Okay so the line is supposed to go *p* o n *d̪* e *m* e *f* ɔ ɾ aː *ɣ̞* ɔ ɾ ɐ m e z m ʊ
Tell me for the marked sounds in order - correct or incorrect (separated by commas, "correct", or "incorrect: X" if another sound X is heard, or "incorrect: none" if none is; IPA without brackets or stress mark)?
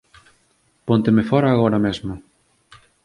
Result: correct, incorrect: t̪, correct, correct, correct